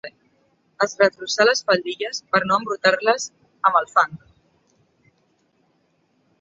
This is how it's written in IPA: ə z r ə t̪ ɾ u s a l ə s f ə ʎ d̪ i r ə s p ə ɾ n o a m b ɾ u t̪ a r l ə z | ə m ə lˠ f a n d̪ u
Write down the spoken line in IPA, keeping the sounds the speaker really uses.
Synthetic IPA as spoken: ə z r ə t̪ ɾ u s a l ə s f ə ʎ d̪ i ʎ ə s p ə ɾ n o ə m b ɾ u t̪ a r l ə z | ə m ə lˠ f a n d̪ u